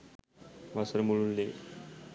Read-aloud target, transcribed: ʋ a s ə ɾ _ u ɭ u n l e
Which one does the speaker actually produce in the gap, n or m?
m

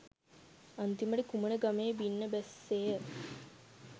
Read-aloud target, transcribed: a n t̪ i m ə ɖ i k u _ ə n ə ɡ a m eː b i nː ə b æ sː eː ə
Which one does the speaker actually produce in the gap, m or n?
m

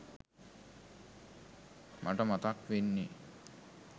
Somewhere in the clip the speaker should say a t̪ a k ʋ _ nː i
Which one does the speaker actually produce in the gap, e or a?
e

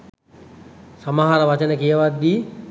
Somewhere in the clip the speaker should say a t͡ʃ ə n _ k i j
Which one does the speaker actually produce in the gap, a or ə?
ə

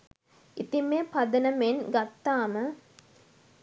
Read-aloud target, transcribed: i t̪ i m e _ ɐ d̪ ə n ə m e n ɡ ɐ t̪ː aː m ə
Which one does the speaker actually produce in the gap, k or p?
p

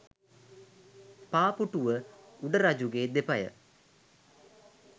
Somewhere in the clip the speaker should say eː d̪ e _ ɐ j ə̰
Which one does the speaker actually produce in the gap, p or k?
p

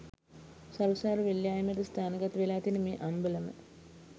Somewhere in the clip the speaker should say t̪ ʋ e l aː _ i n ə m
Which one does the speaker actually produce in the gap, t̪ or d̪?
t̪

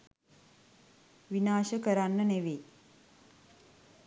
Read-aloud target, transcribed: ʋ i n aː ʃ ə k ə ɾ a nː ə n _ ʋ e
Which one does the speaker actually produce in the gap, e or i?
e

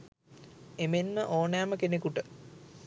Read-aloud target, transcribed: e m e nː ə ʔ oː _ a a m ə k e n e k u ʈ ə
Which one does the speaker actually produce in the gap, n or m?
n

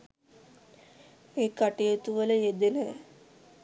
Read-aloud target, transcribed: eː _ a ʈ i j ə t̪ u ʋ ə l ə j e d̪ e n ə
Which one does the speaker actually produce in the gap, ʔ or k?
k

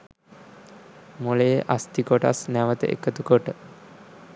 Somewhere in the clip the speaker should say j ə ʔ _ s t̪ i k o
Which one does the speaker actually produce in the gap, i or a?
a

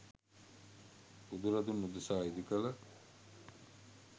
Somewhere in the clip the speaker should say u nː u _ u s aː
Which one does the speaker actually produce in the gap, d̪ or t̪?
d̪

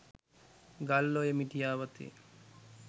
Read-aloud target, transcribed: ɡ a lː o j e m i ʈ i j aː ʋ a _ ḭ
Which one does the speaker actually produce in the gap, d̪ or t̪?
t̪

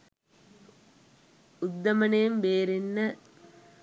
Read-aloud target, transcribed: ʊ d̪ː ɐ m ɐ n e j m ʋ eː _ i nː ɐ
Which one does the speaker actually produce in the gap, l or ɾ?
ɾ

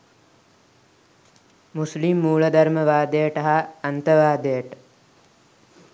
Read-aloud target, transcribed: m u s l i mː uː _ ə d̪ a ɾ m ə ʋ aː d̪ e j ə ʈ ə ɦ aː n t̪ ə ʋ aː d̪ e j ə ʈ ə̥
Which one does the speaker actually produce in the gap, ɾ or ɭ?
ɭ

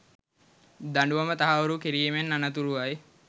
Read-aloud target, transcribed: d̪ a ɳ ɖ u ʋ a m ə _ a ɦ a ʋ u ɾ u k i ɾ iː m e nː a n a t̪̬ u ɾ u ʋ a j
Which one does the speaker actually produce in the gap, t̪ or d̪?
t̪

